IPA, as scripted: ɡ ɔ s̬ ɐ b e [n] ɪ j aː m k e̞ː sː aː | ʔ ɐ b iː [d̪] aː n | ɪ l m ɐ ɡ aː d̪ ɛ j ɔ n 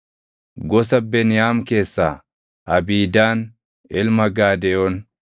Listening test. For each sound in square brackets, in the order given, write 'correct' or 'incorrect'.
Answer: correct, correct

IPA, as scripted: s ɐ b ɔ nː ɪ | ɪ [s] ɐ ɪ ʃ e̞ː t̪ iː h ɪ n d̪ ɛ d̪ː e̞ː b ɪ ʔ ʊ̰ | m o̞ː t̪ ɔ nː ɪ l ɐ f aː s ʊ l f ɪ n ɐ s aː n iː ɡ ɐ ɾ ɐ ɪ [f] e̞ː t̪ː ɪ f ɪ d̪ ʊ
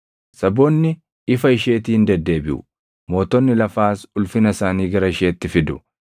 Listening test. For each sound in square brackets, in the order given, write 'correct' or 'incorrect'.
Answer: incorrect: f, incorrect: ʃ

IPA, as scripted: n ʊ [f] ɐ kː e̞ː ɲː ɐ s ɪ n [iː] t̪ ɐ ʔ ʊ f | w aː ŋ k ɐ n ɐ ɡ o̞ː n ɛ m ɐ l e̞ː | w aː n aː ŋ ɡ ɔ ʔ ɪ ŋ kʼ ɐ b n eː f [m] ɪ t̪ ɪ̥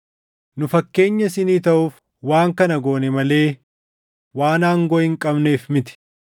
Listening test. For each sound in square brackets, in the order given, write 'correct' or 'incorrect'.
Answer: correct, correct, correct

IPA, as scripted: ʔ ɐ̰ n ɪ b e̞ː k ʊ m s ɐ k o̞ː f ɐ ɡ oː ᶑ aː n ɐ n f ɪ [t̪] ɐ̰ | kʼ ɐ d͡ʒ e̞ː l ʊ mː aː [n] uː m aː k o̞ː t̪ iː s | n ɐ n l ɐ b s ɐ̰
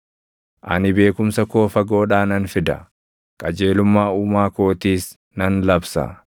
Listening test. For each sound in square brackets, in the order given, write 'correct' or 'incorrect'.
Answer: incorrect: d̪, incorrect: none

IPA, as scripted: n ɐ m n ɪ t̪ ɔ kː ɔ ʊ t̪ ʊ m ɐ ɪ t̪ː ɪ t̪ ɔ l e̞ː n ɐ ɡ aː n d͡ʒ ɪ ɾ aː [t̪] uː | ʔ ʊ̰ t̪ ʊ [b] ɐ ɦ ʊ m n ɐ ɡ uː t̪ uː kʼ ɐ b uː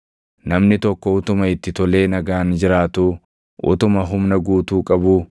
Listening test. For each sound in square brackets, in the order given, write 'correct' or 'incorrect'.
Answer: correct, incorrect: m

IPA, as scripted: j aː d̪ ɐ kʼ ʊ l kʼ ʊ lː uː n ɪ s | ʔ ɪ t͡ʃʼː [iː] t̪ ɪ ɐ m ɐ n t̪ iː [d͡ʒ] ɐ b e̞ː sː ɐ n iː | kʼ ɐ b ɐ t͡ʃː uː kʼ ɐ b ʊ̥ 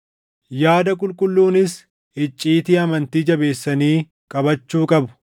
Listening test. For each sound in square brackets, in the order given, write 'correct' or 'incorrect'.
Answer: correct, correct

